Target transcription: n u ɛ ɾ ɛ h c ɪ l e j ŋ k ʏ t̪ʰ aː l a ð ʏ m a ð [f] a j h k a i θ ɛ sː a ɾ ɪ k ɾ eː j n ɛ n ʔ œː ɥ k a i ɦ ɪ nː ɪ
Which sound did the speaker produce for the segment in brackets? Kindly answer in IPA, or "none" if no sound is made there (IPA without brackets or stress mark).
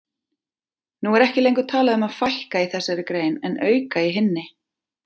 f